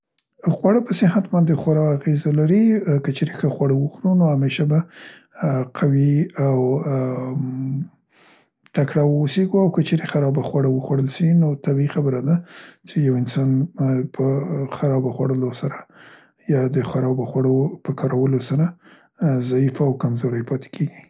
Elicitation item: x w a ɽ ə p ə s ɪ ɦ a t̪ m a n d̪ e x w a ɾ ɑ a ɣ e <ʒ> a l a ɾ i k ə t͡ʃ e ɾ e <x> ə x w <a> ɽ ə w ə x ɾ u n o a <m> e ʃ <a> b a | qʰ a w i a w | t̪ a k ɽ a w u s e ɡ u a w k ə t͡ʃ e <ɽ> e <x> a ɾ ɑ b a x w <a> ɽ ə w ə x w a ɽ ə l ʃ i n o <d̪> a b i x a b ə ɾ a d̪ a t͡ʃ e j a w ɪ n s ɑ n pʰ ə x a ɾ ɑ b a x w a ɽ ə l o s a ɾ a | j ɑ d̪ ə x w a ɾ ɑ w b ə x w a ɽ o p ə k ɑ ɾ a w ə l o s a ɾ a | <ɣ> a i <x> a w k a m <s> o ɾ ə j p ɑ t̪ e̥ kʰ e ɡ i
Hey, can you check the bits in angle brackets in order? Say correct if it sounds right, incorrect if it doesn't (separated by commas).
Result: incorrect, correct, correct, correct, correct, incorrect, correct, correct, incorrect, incorrect, incorrect, incorrect